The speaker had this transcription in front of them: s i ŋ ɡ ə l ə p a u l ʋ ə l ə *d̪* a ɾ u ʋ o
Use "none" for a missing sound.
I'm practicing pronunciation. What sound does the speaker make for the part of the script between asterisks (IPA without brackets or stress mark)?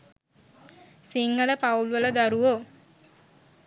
d̪